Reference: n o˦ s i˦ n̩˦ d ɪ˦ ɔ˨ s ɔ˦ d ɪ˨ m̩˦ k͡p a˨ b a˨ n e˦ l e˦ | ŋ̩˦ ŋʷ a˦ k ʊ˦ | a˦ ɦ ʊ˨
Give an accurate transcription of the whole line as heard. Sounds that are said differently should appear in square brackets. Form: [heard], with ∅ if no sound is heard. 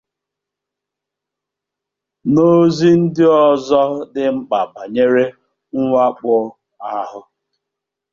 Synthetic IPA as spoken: n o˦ [z] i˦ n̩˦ d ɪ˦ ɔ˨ [z] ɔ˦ d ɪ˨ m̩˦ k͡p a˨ b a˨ [ɲ] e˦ [ɾ] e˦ | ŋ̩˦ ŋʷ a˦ [k͡p] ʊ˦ | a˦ ɦ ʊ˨